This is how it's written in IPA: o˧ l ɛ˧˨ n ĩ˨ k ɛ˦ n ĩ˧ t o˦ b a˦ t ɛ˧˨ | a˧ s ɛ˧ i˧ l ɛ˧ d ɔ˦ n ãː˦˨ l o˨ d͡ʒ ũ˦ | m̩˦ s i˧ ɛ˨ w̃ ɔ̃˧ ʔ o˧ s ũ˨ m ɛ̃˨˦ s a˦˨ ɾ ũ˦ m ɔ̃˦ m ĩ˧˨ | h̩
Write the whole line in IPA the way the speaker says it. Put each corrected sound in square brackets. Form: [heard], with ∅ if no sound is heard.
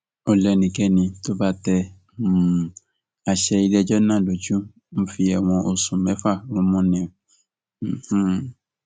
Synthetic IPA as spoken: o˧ l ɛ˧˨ n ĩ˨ k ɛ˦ n ĩ˧ t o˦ b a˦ t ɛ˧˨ | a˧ [ʃ] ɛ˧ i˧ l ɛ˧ [d͡ʒ] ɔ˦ n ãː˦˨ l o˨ d͡ʒ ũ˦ | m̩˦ [f] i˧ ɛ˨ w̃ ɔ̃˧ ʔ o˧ s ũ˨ m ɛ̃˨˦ [f] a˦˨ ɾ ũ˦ m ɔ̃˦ [n] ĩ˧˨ | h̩